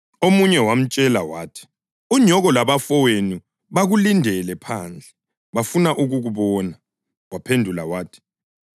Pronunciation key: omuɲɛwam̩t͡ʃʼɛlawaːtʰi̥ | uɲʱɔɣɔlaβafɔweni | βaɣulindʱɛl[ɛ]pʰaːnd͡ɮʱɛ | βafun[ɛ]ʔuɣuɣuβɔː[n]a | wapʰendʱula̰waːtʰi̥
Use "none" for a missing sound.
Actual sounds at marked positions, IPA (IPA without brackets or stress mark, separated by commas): ɛ, a, n